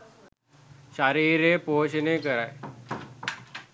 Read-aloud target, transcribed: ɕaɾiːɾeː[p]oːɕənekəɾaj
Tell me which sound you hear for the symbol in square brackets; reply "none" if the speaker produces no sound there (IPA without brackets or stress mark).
p